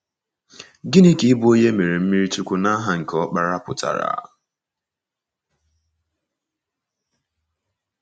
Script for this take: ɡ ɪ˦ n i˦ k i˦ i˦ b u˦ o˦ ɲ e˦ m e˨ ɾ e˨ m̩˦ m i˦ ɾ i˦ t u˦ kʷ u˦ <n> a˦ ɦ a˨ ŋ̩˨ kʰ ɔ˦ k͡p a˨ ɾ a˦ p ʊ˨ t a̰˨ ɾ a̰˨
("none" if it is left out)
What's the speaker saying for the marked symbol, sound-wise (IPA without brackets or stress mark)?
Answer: n